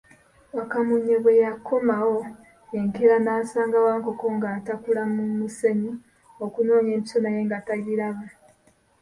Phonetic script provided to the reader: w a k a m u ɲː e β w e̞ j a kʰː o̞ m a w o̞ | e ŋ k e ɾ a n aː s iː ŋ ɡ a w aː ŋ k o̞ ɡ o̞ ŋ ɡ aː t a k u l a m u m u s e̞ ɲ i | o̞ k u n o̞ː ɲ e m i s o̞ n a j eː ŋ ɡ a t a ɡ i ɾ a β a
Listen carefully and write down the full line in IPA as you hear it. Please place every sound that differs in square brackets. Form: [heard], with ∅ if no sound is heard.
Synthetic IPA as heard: w a k a m u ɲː e β w e̞ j a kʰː o̞ m a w o̞ | e ŋ k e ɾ a n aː s [aː] ŋ ɡ a w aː ŋ k o̞ [k] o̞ ŋ ɡ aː t a k u l a m u m u s e̞ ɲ i | o̞ k u n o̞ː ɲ e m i s o̞ n a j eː ŋ ɡ a t a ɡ i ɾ a β a